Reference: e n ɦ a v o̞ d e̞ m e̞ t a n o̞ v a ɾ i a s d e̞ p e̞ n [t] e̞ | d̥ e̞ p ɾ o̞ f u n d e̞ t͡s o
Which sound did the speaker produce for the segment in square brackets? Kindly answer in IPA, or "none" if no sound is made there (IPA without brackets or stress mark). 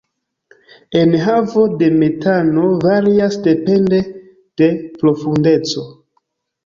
d